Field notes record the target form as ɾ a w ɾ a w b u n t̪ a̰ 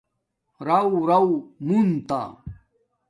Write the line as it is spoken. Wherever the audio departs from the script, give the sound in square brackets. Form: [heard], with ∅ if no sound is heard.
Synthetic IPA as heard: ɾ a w ɾ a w [m] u n t̪ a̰